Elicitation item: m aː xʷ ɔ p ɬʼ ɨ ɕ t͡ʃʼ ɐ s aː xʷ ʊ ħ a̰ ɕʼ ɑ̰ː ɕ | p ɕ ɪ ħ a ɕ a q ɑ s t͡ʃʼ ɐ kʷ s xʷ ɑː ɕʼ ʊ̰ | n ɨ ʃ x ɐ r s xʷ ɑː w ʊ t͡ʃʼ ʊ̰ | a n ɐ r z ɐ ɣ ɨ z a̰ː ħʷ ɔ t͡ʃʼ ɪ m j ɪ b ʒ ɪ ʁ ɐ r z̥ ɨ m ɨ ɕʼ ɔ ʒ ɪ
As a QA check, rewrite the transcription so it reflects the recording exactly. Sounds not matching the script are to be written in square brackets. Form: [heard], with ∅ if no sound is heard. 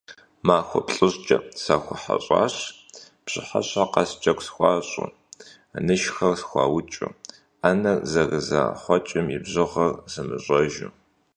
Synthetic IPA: m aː xʷ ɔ p ɬʼ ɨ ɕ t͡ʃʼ ɐ s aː xʷ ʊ ħ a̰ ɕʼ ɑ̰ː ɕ | p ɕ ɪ ħ a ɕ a q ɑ s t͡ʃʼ ɐ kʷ s xʷ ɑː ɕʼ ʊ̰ | n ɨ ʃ x ɐ r s xʷ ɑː w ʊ t͡ʃʼ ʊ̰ | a n ɐ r z ɐ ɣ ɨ z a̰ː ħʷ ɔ t͡ʃʼ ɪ m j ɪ b [ʑ] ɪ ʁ ɐ r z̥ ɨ m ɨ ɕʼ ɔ ʒ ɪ